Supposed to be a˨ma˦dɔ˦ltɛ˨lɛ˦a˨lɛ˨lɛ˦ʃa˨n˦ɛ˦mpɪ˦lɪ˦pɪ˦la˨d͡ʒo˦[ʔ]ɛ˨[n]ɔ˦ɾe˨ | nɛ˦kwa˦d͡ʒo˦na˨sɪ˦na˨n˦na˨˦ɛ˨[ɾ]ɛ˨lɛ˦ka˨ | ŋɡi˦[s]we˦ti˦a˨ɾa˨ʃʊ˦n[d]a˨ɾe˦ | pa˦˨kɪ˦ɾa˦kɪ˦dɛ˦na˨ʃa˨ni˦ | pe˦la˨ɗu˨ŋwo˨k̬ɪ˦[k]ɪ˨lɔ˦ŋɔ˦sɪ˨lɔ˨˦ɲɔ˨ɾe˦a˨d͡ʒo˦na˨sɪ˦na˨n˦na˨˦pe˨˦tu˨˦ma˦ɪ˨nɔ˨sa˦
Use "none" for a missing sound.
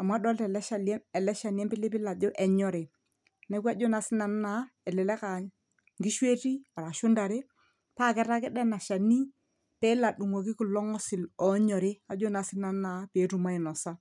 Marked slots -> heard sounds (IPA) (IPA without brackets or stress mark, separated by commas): ʔ, ɲ, l, ʃ, d, k